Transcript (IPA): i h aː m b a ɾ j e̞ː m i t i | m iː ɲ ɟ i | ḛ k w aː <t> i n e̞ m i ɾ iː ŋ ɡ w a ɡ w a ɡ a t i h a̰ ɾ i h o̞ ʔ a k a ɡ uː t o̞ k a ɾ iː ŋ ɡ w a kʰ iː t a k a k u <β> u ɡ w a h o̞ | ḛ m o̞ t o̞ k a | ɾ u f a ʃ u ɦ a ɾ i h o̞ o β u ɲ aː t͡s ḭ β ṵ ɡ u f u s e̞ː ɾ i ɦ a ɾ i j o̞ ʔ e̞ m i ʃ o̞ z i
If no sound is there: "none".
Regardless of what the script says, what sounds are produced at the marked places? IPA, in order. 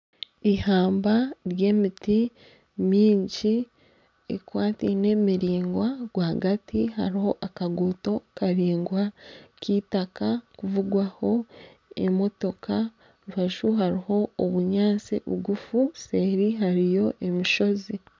t, v

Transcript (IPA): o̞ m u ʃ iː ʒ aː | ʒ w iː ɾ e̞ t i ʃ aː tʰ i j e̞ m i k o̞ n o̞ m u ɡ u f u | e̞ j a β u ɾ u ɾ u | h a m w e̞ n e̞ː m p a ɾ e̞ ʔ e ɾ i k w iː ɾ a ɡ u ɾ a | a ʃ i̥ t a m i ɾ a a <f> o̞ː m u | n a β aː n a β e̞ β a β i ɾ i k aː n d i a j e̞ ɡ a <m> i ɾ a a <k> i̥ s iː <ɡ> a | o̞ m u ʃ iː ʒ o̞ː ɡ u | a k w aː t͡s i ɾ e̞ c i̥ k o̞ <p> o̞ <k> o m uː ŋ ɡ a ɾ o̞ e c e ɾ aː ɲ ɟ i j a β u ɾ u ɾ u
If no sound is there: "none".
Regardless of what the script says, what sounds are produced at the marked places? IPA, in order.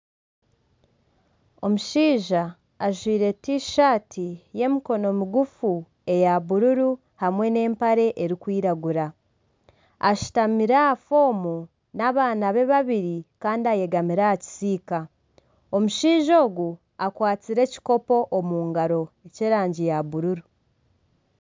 f, m, c, k, p, ʔ

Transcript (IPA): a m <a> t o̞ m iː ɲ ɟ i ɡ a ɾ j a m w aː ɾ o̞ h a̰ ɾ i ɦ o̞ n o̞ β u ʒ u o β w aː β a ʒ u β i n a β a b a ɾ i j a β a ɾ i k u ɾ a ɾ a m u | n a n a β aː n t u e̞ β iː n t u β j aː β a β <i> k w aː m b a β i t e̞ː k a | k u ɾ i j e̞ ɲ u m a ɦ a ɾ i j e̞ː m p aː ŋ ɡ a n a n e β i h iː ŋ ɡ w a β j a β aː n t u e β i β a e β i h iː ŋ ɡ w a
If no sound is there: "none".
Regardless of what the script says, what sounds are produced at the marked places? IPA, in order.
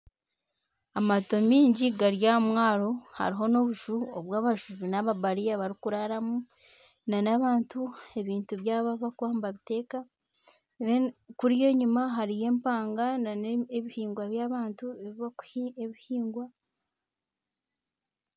a, a

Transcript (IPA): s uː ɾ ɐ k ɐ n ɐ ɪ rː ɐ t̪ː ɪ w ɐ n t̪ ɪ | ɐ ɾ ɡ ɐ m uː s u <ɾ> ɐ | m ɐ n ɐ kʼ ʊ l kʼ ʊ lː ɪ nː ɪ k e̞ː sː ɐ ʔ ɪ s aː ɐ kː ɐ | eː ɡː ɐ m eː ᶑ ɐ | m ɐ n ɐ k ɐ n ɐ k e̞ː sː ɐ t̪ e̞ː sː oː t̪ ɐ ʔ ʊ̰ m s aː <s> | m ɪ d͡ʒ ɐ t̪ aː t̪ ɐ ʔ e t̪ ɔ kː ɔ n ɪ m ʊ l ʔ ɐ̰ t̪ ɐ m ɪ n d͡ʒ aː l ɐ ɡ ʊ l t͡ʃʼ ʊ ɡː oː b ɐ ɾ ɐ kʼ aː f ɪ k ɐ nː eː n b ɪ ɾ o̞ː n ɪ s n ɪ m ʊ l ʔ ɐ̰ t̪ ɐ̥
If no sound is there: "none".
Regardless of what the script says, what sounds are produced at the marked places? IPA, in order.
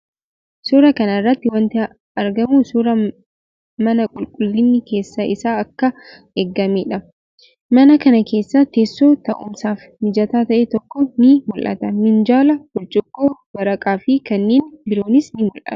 ɾ, f

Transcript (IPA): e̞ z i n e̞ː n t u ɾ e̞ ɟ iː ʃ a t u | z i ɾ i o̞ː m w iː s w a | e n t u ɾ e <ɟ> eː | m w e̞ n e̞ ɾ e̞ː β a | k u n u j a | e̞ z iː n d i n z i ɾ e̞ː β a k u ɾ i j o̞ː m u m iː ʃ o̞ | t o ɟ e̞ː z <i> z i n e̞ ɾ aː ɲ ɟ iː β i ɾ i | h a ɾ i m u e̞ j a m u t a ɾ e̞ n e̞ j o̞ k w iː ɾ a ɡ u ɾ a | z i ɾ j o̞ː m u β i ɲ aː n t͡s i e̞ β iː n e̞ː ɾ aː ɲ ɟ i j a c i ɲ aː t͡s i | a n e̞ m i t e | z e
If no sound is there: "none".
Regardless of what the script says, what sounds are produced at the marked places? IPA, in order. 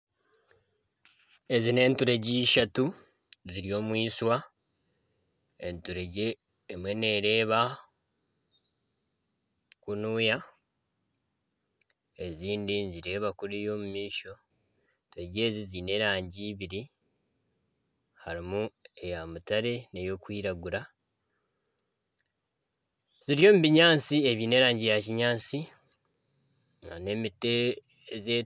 ɟ, i

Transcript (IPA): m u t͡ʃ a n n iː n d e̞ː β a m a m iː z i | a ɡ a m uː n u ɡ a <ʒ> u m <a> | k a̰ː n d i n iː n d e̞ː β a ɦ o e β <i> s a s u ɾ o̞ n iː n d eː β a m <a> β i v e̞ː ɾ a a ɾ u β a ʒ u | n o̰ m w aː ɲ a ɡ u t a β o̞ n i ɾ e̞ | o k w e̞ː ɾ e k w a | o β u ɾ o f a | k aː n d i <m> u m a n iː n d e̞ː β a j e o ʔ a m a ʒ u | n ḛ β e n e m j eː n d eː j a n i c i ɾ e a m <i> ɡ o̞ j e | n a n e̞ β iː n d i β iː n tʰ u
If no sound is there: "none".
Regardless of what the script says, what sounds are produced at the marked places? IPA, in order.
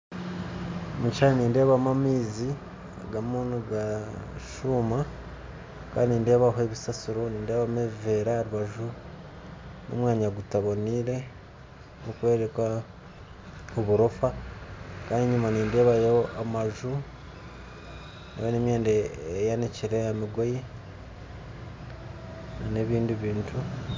ʃ, a, i, e, ɲ, i

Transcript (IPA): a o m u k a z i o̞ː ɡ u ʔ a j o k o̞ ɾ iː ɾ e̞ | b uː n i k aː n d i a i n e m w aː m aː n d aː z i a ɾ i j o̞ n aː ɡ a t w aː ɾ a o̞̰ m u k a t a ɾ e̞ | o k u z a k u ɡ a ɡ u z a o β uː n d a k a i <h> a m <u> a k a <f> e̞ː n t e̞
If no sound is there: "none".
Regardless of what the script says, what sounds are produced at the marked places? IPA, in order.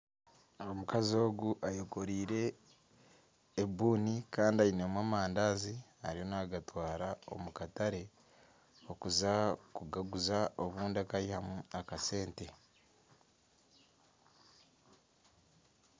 h, u, s

